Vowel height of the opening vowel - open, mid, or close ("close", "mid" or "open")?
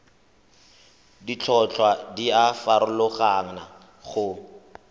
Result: close